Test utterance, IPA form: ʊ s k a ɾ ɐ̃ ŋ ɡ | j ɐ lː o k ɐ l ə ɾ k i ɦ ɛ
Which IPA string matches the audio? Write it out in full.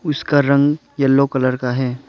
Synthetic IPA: ʊ s k a ɾ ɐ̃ ŋ ɡ | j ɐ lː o k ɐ l ə ɾ k a ɦ ɛː